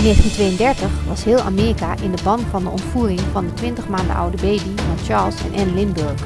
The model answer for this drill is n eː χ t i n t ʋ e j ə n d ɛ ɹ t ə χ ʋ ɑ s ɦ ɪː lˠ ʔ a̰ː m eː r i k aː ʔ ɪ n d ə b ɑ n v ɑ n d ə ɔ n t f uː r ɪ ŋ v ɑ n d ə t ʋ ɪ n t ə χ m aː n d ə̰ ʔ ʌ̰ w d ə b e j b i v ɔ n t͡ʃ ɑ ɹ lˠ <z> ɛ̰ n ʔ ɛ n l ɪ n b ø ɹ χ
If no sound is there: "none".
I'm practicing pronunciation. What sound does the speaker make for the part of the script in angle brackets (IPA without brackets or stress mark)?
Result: s